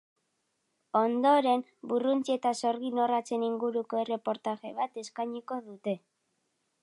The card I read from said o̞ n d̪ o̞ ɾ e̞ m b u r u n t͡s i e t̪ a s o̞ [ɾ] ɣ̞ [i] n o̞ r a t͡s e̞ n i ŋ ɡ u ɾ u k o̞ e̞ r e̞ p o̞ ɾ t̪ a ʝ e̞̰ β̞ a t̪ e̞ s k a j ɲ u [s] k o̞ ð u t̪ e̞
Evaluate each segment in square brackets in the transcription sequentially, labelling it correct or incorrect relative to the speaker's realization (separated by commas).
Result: correct, correct, incorrect